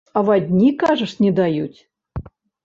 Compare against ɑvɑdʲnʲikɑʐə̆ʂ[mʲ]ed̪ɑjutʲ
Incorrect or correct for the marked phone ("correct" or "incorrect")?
incorrect